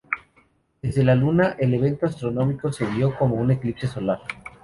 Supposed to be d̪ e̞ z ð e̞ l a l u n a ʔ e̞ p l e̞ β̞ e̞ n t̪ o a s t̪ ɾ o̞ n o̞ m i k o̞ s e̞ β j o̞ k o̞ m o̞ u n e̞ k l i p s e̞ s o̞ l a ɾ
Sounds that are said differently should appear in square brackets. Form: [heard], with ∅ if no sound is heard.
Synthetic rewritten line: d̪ e̞ z ð e̞ l a l u n a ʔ e̞ [∅] l e̞ β̞ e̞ n t̪ o a s t̪ ɾ o̞ n o̞ m i k o̞ s e̞ β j o̞ k o̞ m o̞ u n e̞ k l i p s e̞ s o̞ l a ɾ

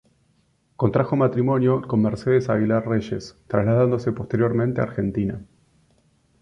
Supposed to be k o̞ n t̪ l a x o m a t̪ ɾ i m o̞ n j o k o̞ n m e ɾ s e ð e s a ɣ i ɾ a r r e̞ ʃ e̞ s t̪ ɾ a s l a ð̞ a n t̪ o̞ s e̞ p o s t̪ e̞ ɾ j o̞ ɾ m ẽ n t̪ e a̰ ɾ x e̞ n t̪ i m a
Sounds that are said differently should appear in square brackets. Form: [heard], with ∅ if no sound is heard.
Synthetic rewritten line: k o̞ n t̪ [ɾ] a x o m a t̪ ɾ i m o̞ n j o k o̞ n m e ɾ s e ð e s a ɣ i [l] a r r e̞ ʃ e̞ s t̪ ɾ a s l a ð̞ a n [d̪] o̞ s e̞ p o s t̪ e̞ ɾ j o̞ ɾ m ẽ n t̪ e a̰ ɾ x e̞ n t̪ i [n] a

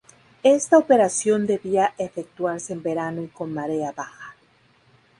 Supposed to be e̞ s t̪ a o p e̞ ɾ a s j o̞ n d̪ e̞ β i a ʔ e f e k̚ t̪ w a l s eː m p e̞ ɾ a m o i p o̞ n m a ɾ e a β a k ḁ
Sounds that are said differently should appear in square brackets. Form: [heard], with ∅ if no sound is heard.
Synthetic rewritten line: e̞ s t̪ a o p e̞ ɾ a s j o̞ n d̪ e̞ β i a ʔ e f e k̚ t̪ w a [ɾ] s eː m [b] e̞ ɾ a [n] o i [k] o̞ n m a ɾ e a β a [x] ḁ

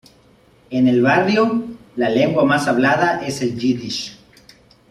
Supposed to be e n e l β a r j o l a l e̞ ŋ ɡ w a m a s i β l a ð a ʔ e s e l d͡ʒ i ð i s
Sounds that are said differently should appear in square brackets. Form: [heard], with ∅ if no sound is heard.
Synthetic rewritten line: e n e l β a r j o l a l e̞ ŋ ɡ w a m a s [a] β l a ð a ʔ e s e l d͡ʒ i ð i [ʃ]

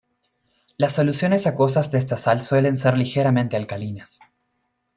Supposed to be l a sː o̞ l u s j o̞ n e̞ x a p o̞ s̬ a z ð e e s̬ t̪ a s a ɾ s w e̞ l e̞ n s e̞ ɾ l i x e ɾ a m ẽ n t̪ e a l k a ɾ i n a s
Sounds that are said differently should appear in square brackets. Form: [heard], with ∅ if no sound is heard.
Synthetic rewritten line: l a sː o̞ l u s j o̞ n e̞ [s] a [k] o̞ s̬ a z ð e e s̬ t̪ a s a [l] s w e̞ l e̞ n s e̞ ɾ l i x e ɾ a m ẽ n t̪ e a l k a [l] i n a s

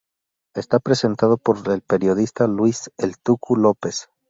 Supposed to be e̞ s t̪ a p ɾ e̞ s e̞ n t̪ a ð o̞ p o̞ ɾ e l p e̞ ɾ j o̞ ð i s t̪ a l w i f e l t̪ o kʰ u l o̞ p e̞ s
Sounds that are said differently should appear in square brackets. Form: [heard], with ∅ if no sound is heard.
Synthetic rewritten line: e̞ s t̪ a p ɾ e̞ s e̞ n t̪ a ð o̞ p o̞ ɾ e l p e̞ ɾ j o̞ ð i s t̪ a l w i [s] e l t̪ [u] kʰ u l o̞ p e̞ s

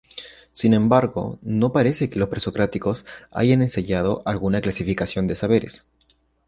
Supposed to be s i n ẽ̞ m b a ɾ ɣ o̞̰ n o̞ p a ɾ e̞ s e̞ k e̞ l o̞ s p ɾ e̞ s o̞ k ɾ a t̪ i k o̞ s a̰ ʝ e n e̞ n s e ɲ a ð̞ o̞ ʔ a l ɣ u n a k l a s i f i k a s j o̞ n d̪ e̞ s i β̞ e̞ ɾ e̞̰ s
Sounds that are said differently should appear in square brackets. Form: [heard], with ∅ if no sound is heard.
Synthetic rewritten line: s i n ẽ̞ m b a ɾ ɣ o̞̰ n o̞ p a ɾ e̞ s e̞ k e̞ l o̞ s p ɾ e̞ s o̞ k ɾ a t̪ i k o̞ s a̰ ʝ [a] n e̞ n s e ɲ a ð̞ o̞ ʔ a l ɣ u n a k l a s i f i k a s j o̞ n d̪ e̞ s [a] β̞ e̞ ɾ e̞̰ s

